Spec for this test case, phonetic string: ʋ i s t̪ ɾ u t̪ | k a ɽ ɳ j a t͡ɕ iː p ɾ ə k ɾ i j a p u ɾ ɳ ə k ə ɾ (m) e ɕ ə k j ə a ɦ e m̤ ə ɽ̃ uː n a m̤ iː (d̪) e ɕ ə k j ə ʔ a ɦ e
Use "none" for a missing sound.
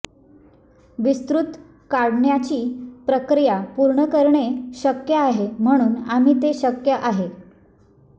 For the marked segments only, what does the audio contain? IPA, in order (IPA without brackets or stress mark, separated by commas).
ɳ, t̪